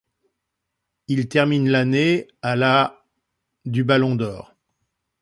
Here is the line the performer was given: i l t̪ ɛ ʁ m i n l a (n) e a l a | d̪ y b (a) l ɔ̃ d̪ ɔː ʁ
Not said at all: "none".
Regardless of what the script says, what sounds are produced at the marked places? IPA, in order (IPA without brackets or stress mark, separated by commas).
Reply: n, a